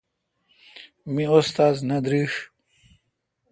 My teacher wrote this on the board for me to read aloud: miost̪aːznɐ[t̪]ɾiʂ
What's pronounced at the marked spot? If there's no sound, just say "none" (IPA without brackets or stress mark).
d̪